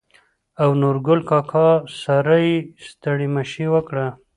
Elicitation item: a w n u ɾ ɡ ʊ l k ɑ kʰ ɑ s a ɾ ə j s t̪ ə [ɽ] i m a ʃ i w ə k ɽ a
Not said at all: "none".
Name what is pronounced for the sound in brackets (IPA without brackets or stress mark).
ɽ